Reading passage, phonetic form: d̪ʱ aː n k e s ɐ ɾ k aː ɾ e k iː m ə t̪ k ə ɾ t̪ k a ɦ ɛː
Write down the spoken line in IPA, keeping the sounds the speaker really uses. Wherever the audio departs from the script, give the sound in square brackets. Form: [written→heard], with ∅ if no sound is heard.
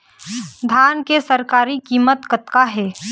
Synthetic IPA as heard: d̪ʱ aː n k e s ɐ ɾ k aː ɾ [e→i] k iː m ə t̪ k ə [ɾ→∅] t̪ k a ɦ ɛː